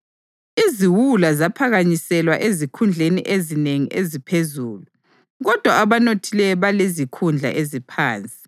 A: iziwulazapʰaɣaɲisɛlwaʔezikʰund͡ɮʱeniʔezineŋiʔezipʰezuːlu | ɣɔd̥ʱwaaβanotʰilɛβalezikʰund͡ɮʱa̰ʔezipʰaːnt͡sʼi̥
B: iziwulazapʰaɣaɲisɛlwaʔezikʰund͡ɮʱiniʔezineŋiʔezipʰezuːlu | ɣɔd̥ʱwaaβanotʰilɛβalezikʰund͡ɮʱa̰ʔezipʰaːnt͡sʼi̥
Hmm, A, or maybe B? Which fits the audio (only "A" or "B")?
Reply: A